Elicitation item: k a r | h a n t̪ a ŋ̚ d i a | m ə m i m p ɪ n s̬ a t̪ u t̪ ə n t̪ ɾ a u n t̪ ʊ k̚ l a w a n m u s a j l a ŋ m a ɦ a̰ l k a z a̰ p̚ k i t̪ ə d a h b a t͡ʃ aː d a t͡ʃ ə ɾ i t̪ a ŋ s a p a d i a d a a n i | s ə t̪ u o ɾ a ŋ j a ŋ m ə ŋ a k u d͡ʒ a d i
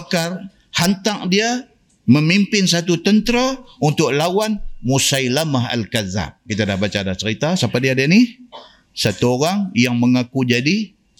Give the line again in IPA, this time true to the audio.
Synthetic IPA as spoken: k a r | h a n t̪ a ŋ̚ d i a | m ə m i m p ɪ n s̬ a t̪ u t̪ ə n t̪ ɾ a u n t̪ ʊ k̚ l a w a n m u s a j l a m a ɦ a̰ l k a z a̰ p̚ k i t̪ a d a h b a t͡ʃ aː d a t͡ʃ ə ɾ i t̪ a s a p a d i a d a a n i | s a t̪ u o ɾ a ŋ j a ŋ m ə ŋ a k u d͡ʒ a d i